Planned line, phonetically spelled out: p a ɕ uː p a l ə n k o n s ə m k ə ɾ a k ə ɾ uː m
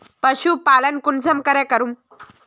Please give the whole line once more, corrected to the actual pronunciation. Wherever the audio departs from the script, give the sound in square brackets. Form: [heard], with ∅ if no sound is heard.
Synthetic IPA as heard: p [ə] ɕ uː p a l ə n k [u] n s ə m k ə ɾ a k ə ɾ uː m